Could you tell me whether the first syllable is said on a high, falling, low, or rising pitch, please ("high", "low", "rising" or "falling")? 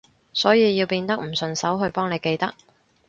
rising